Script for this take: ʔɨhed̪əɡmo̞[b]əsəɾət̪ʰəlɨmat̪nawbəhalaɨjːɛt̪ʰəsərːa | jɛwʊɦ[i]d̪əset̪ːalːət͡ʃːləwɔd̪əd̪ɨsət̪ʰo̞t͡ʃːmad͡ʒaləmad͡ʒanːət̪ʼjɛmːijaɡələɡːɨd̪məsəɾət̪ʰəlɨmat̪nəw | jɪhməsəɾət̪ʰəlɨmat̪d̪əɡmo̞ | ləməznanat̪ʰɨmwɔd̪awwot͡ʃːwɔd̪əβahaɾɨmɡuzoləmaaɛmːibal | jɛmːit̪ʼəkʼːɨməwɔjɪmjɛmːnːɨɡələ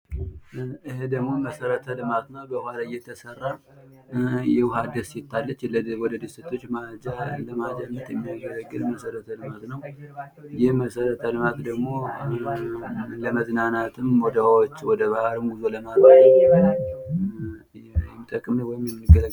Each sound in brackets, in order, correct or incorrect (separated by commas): incorrect, incorrect